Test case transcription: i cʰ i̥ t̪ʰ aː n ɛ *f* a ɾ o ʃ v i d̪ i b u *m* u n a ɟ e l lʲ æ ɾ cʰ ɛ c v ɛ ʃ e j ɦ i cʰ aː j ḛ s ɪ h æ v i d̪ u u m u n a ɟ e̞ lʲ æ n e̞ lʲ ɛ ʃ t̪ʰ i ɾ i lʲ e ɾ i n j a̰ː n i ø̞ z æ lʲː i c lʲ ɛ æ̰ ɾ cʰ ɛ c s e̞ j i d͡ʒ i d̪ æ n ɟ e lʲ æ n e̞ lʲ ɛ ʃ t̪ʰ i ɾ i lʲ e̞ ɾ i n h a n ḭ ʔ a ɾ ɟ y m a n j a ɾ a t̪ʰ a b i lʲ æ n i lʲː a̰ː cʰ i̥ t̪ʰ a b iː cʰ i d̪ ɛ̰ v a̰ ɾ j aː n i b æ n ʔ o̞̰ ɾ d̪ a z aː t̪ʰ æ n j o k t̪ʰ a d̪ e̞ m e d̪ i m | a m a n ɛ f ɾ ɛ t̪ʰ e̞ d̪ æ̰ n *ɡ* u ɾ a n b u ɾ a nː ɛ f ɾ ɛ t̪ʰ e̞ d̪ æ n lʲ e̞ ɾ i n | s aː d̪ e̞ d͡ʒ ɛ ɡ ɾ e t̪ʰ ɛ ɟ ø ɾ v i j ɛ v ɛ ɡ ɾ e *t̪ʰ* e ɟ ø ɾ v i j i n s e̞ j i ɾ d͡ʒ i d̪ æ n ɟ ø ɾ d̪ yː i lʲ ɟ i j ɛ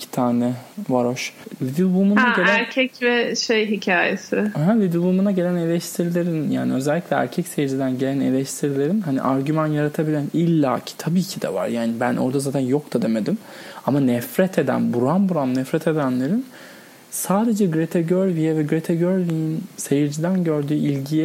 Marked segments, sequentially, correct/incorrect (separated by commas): incorrect, correct, incorrect, correct